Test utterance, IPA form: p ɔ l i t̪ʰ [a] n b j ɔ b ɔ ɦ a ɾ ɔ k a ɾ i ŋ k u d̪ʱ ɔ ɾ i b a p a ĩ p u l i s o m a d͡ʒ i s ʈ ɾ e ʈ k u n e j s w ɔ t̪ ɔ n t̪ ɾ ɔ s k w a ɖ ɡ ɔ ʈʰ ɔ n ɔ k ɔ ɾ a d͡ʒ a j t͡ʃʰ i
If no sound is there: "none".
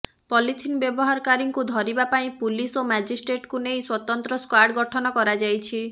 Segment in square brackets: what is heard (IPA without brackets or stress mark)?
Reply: i